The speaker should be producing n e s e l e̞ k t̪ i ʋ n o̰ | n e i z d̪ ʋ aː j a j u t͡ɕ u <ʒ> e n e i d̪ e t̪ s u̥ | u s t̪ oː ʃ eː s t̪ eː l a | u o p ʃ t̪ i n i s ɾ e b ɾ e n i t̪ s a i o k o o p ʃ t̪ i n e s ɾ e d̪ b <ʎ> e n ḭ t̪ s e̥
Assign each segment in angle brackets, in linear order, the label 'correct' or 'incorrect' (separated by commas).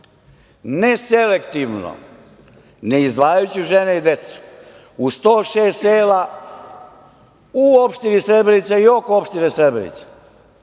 correct, incorrect